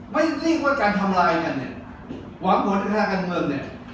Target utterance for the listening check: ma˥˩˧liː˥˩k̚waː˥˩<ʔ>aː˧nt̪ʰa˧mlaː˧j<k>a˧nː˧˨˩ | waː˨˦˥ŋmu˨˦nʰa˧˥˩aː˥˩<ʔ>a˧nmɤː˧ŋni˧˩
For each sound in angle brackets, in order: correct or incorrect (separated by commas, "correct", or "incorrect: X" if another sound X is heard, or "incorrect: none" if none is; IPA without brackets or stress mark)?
incorrect: k, correct, incorrect: k